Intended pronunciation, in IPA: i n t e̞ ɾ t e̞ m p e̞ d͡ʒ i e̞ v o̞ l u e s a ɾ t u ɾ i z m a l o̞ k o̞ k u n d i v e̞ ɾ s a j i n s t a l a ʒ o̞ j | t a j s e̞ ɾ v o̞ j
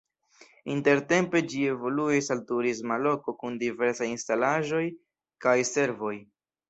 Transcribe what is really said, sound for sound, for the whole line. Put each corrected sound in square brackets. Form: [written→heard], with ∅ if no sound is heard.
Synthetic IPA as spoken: i n t e̞ ɾ t e̞ m p e̞ d͡ʒ i e̞ v o̞ l u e s a [ɾ→l] t u ɾ i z m a l o̞ k o̞ k u n d i v e̞ ɾ s a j i n s t a l a ʒ o̞ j | [t→k] a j s e̞ ɾ v o̞ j